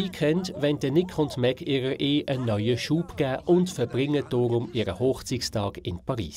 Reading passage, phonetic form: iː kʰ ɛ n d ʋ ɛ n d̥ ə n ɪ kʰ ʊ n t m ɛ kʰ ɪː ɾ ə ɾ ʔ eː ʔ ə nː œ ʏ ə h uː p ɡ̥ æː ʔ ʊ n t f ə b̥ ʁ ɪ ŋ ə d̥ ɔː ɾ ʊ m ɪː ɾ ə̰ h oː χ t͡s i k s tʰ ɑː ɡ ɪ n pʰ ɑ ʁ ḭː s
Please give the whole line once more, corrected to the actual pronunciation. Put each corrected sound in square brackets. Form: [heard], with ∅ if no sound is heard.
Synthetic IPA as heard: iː kʰ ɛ n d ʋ ɛ n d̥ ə n ɪ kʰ ʊ n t m ɛ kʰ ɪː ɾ ə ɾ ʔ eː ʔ ə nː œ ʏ ə [ʃ] uː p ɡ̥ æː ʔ ʊ n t f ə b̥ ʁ ɪ ŋ ə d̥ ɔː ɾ ʊ m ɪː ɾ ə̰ h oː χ t͡s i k s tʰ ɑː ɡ ɪ n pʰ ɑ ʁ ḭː s